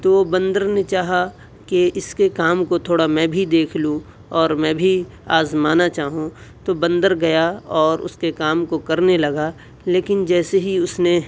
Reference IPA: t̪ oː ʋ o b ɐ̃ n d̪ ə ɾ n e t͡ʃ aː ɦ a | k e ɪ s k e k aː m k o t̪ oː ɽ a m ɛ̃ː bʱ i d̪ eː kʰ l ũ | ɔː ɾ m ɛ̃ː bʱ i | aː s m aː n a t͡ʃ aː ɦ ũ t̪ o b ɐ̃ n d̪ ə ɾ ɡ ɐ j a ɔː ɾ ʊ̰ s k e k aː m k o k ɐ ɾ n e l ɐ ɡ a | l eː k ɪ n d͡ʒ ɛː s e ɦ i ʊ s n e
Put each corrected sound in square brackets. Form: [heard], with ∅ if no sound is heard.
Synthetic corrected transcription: t̪ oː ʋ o b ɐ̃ n d̪ ə ɾ n e t͡ʃ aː ɦ a | k e ɪ s k e k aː m k o [t̪ʰ] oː ɽ a m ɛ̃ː bʱ i d̪ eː kʰ l ũ | ɔː ɾ m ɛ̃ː bʱ i | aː [z] m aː n a t͡ʃ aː ɦ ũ t̪ o b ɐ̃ n d̪ ə ɾ ɡ ɐ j a ɔː ɾ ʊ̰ s k e k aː m k o k ɐ ɾ n e l ɐ ɡ a | l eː k ɪ n d͡ʒ ɛː s e ɦ i ʊ s n e